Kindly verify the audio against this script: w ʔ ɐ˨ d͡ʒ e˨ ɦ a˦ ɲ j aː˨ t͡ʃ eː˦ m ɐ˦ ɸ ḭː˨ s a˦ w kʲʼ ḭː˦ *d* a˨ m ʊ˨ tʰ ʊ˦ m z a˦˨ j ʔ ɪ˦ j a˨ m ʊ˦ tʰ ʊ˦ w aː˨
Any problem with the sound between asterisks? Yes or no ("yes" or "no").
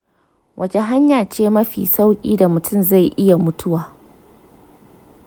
no